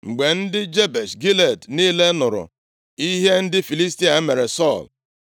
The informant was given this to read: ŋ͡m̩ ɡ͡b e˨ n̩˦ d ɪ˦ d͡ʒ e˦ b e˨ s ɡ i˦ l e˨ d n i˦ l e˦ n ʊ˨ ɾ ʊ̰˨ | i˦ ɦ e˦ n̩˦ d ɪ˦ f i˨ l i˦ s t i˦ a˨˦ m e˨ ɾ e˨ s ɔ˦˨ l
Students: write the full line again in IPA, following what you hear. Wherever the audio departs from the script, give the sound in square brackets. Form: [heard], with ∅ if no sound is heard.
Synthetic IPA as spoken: ŋ͡m̩ ɡ͡b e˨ n̩˦ d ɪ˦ d͡ʒ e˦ b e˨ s ɡ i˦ l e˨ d n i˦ l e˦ n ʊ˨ ɾ ʊ̰˨ | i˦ ɦ e˦ n̩˦ d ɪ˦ f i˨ l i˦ s t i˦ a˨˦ m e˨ ɾ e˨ s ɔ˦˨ l